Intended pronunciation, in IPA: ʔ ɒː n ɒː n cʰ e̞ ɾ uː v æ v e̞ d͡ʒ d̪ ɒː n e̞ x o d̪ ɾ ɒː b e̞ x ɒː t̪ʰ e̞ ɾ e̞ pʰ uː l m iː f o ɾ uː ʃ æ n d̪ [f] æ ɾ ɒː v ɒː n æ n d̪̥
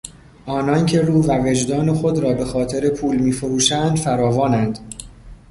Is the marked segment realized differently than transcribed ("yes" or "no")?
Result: no